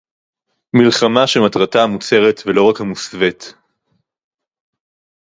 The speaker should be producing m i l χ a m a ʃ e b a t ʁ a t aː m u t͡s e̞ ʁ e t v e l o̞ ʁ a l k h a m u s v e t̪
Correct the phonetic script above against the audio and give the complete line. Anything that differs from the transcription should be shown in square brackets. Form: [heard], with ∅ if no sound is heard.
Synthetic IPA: m i l χ a m a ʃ e [m] a t ʁ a t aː m u t͡s e̞ ʁ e t v e l o̞ ʁ a [∅] k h a m u s v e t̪